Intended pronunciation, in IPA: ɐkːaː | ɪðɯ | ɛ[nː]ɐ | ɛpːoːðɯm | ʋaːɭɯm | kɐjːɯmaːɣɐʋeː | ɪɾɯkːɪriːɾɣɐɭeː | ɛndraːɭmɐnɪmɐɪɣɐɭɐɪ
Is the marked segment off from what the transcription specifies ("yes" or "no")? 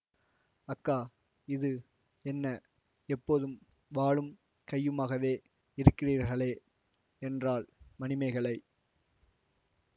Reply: no